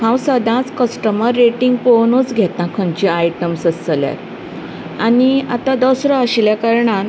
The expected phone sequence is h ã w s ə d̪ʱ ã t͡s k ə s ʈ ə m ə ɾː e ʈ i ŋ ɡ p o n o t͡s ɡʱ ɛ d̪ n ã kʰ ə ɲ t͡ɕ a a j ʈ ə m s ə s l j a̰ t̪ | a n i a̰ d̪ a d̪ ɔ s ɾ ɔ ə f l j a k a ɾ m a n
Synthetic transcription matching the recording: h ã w s ə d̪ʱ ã t͡s k ə s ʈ ə m ə ɾː e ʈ i ŋ ɡ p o n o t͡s ɡʱ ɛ t̪ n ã kʰ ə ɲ t͡ɕ i a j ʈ ə m s ə s l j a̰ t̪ | a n i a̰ t̪ a d̪ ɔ s ɾ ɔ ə ɕ l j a k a ɾ ɳ a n

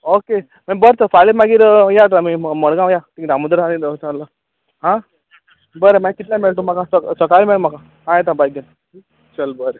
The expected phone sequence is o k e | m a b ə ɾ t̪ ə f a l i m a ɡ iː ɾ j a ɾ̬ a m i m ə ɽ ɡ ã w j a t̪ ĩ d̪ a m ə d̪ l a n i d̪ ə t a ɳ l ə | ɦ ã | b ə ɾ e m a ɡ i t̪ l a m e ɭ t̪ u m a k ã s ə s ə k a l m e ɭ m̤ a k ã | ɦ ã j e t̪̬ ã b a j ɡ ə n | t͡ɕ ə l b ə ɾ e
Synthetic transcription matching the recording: o k e | m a b ə ɾ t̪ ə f a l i m a ɡ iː ɾ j a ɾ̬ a m i m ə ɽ ɡ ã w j a t̪ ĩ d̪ a m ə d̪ ɾ a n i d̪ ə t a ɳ l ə | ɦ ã | b ə ɾ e m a k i t̪ l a m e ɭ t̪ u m a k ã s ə s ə k a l m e ɭ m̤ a k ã | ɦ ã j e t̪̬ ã b a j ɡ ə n | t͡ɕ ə l b ə ɾ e

